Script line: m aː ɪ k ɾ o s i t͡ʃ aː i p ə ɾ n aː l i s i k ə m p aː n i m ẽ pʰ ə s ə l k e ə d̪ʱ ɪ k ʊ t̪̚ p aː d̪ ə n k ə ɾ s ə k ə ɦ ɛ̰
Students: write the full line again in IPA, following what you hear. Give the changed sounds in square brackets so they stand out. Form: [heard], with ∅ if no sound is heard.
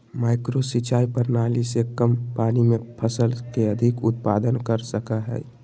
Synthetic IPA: m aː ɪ k ɾ o s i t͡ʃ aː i p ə ɾ n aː l i s [e] k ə m p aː n i m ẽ pʰ ə s ə l k e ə d̪ʱ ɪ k ʊ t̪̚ p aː d̪ ə n k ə ɾ s ə k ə ɦ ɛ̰